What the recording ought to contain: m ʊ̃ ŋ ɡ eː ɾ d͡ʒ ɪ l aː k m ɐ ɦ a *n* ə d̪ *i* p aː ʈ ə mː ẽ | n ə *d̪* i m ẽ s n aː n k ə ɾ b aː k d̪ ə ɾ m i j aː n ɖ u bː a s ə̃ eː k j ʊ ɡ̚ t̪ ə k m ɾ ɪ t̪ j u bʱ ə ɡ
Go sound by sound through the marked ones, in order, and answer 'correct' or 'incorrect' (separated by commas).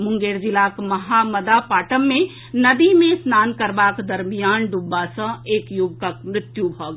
incorrect, incorrect, correct